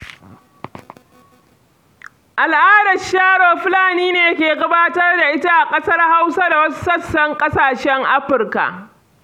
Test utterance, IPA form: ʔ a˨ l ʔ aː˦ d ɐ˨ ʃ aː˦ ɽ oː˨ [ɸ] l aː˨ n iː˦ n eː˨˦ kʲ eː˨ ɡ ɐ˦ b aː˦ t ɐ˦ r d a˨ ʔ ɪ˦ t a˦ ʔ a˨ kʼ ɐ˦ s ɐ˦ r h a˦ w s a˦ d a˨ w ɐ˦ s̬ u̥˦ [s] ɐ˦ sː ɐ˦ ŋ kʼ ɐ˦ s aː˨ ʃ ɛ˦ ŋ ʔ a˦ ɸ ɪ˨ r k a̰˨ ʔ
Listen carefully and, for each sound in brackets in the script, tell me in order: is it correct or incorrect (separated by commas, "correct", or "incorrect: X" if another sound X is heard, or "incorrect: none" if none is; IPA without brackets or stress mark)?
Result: correct, correct